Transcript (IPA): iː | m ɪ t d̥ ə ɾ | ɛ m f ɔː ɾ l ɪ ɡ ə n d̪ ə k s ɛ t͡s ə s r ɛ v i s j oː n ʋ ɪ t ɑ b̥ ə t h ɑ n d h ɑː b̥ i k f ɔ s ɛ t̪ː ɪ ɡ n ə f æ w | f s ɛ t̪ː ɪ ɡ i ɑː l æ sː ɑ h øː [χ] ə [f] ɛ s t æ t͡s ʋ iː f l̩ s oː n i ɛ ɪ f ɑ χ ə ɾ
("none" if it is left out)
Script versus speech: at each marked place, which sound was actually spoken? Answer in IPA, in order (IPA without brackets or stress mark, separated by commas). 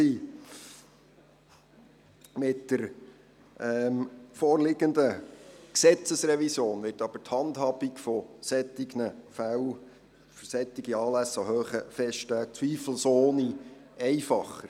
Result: χ, f